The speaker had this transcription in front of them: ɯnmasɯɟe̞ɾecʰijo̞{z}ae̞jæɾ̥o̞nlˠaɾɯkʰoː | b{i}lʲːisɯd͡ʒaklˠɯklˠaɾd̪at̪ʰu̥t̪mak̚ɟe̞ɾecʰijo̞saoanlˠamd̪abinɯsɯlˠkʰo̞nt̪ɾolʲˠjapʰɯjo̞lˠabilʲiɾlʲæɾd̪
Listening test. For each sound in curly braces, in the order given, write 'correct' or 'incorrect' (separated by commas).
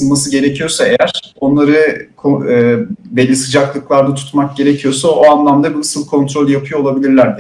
incorrect, incorrect